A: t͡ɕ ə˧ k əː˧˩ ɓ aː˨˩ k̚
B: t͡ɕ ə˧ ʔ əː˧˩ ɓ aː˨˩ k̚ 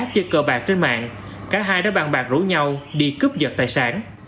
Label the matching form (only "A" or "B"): A